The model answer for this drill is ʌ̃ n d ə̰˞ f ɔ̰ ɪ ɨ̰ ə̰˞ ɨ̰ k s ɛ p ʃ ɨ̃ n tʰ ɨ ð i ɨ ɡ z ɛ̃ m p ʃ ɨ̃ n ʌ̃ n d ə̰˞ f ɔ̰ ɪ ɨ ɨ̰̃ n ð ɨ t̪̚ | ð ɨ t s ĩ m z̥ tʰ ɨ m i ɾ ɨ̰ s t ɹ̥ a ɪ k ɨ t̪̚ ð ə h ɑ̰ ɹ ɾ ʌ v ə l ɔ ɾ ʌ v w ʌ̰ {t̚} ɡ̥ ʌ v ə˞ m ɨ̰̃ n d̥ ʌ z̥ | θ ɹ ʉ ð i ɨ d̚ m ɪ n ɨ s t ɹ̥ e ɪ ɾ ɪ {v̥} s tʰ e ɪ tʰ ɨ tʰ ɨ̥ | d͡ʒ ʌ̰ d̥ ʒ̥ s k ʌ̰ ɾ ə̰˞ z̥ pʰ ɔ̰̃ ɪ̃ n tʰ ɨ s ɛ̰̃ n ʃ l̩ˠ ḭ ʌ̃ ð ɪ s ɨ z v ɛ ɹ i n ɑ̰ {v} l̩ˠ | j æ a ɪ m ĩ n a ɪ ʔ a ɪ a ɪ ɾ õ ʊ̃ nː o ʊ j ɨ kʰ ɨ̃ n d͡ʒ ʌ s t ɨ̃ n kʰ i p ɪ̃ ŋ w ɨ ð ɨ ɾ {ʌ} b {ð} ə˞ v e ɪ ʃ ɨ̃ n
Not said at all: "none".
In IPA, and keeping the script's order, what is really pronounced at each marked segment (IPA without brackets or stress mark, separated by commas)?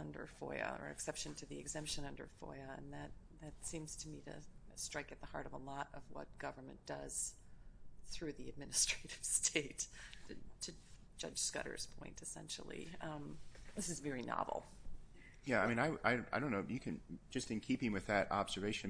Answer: t̚, v̥, v, ɑ, z